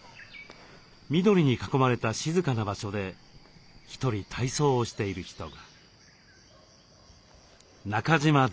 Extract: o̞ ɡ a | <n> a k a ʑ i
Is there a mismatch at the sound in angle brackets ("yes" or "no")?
no